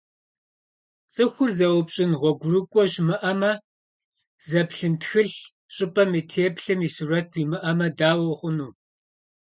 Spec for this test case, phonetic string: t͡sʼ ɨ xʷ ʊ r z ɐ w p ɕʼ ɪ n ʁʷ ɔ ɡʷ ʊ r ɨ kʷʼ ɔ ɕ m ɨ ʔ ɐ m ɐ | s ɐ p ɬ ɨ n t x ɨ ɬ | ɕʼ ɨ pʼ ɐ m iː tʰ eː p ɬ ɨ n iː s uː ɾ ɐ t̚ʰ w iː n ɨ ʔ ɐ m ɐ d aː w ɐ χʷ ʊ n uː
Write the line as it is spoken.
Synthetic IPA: t͡sʼ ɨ xʷ ʊ r z ɐ w p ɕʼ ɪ n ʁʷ ɔ ɡʷ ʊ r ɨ kʷʼ ɔ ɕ m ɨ ʔ ɐ m ɐ | z ɐ p ɬ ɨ n t x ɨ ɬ | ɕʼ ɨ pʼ ɐ m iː tʰ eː p ɬ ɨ m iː s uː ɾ ɐ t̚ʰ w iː m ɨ ʔ ɐ m ɐ d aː w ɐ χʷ ʊ n uː